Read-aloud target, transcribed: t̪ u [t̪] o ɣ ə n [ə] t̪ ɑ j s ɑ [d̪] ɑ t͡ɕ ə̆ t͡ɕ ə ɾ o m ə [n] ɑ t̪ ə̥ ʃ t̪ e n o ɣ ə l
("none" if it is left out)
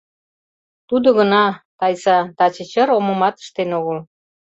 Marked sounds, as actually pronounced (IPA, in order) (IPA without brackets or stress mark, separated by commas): d̪, ɑ, t̪, m